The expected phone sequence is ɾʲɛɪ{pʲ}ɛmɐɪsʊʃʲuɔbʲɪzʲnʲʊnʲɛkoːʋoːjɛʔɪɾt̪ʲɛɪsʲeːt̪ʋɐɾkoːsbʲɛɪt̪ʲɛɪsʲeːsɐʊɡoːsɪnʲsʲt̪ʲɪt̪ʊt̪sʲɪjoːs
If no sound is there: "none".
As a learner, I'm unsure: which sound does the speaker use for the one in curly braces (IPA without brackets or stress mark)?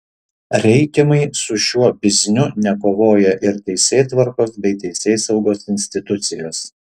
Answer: kʲ